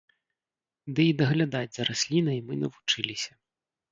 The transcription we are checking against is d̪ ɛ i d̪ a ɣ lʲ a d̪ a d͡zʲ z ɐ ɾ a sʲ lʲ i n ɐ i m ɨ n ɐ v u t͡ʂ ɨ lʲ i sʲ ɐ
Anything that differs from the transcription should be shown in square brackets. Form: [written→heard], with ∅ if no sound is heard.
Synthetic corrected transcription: d̪ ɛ i d̪ [a→ɐ] ɣ lʲ a d̪ a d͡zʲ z ɐ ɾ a sʲ lʲ i n ɐ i m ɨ n ɐ v u t͡ʂ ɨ lʲ i sʲ ɐ